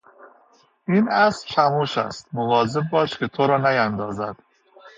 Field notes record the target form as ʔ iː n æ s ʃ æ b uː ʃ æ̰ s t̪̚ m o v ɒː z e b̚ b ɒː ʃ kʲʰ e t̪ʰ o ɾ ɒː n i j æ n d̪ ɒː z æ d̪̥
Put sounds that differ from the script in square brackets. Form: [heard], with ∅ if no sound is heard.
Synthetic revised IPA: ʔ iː n æ s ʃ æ [m] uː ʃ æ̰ s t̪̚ m o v ɒː z e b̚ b ɒː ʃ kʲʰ e t̪ʰ o ɾ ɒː n [æ] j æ n d̪ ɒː z æ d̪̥